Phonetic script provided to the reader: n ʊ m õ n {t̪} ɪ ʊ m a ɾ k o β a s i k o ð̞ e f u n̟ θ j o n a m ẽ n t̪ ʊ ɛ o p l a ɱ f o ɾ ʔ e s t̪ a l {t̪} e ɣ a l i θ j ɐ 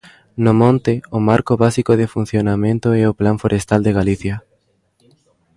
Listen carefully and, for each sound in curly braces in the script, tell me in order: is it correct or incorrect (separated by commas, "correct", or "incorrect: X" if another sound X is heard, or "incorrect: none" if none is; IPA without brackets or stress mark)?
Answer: correct, incorrect: d̪